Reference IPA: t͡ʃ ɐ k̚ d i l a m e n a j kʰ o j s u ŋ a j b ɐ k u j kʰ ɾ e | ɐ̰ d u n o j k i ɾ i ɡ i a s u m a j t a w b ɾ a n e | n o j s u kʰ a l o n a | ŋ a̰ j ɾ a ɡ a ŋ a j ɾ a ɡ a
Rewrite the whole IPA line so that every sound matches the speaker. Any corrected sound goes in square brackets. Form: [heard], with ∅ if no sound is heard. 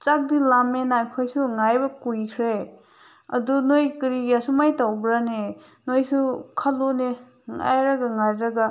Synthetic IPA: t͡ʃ [a] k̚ d i l a m e n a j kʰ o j s u ŋ a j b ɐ k u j kʰ ɾ e | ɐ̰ d u n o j k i ɾ i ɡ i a s u m a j t a w b ɾ a n e | n o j s u kʰ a l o n [e] | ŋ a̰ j ɾ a ɡ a ŋ a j ɾ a ɡ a